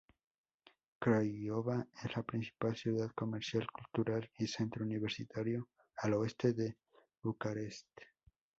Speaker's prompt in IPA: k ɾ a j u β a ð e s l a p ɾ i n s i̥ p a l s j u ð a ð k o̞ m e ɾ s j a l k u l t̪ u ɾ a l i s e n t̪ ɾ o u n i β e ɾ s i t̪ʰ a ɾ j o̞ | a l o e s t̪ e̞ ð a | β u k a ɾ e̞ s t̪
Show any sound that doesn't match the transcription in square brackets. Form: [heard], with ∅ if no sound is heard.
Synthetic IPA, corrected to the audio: k ɾ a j [o] β a [∅] e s l a p ɾ i n s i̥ p a l s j u ð a ð k o̞ m e ɾ s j a l k u l t̪ u ɾ a l i s e n t̪ ɾ o u n i β e ɾ s i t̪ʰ a ɾ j o̞ | a l o e s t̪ e̞ ð [e] | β u k a ɾ e̞ s t̪

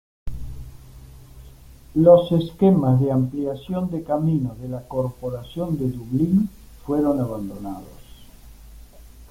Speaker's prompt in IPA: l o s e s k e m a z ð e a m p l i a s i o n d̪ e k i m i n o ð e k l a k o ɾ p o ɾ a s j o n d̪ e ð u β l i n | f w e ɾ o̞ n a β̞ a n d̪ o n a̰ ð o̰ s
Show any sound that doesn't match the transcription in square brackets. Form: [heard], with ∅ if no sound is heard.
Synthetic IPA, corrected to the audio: l o s e s k e m a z ð e a m p l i a s [j] o n d̪ e k [a] m i n o ð e [∅] l a k o ɾ p o ɾ a s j o n d̪ e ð u β l i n | f w e ɾ o̞ n a β̞ a n d̪ o n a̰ ð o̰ s

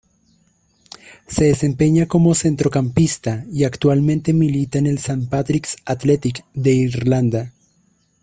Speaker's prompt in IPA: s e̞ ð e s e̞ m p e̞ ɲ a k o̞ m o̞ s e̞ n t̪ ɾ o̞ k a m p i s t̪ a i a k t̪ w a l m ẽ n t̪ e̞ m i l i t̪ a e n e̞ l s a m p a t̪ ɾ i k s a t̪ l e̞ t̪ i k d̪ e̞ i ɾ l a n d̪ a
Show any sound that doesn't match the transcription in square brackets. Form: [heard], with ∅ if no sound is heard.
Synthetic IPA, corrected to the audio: s e̞ ð e s e̞ m p e̞ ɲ a k o̞ m o̞ s e̞ n t̪ ɾ o̞ k a m p i s t̪ a i a k t̪ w a l m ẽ n t̪ e̞ m i l i t̪ a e n e̞ l s a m p a t̪ ɾ i k s a t̪ l e̞ t̪ i k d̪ e̞ i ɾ l a n d̪ a

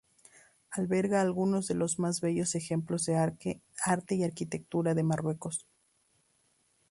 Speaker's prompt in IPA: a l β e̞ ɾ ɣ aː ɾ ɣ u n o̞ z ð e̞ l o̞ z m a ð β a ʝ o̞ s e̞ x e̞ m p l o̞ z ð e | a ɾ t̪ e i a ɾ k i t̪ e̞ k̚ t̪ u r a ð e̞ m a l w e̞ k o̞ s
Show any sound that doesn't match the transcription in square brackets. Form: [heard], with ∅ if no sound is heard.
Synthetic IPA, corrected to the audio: a l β e̞ ɾ ɣ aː [l] ɣ u n o̞ z ð e̞ l o̞ z m a [z] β [e] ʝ o̞ s e̞ x e̞ m p l o̞ z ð e | a ɾ t̪ e i a ɾ k i t̪ e̞ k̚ t̪ u [ɾ] a ð e̞ m a [r] w e̞ k o̞ s

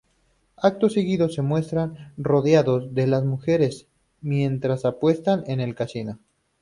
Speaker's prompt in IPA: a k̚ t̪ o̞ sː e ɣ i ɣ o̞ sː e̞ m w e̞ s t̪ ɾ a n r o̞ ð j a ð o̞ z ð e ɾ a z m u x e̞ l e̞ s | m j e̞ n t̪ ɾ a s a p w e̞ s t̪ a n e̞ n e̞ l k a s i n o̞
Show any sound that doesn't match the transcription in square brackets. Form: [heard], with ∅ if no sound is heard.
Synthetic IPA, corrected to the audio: a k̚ t̪ o̞ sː e ɣ i [ð] o̞ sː e̞ m w e̞ s t̪ ɾ a n r o̞ ð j a ð o̞ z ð e [l] a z m u x e̞ [ɾ] e̞ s | m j e̞ n t̪ ɾ a s a p w e̞ s t̪ a n e̞ n e̞ l k a s i n o̞

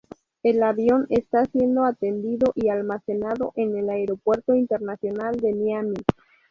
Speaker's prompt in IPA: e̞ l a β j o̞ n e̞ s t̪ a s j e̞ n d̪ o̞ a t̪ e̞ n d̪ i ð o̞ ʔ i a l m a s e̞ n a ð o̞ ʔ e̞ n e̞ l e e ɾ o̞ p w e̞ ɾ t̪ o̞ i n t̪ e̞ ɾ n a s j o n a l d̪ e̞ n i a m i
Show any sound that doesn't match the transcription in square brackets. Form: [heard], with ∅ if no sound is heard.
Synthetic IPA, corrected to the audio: e̞ l a β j o̞ n e̞ s t̪ a s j e̞ n d̪ o̞ a t̪ e̞ n d̪ i ð o̞ ʔ i a l m a s e̞ n a ð o̞ ʔ e̞ n e̞ l [a] e ɾ o̞ p w e̞ ɾ t̪ o̞ i n t̪ e̞ ɾ n a s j o n a l d̪ e̞ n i a m i

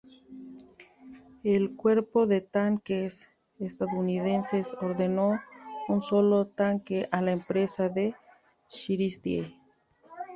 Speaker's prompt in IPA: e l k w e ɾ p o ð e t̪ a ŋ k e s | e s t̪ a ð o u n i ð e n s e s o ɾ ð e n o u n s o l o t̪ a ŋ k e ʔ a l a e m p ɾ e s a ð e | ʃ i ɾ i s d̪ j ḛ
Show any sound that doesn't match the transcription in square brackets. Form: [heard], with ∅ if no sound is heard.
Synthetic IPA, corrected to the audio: e l k w e ɾ p o ð e t̪ a ŋ k e s | e s t̪ a ð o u n i ð e n s e s o ɾ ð e n o u n s o l o t̪ a ŋ k e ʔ a l a e m p ɾ e s a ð e | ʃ i ɾ i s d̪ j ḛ

